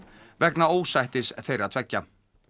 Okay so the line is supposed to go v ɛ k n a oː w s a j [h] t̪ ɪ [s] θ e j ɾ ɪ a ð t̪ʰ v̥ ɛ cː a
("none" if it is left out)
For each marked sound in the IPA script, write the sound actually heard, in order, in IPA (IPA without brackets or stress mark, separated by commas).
h, s